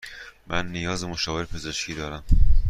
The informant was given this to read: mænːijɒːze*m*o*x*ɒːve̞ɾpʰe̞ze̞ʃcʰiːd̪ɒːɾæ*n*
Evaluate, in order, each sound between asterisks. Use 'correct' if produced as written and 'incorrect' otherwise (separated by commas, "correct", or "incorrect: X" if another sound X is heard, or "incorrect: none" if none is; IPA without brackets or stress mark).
correct, incorrect: ʃ, incorrect: m